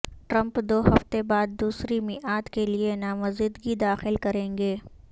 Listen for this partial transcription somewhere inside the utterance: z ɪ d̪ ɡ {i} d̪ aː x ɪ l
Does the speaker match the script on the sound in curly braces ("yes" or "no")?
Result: yes